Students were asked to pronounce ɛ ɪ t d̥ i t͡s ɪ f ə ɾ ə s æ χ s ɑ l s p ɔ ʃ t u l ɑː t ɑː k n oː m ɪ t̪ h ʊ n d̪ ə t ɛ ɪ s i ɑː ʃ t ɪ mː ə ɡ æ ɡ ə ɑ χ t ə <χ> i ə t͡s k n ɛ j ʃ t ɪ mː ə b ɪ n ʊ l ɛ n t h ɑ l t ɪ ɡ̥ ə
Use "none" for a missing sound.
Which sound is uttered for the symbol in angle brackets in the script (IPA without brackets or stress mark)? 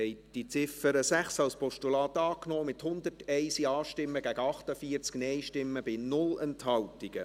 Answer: f